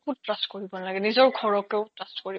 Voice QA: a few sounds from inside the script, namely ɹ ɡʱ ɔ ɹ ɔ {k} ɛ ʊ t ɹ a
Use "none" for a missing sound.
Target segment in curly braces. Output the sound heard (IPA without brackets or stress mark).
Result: k